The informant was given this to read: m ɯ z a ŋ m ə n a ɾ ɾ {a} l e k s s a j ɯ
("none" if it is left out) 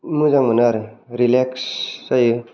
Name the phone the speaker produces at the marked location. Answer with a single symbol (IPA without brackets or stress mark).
i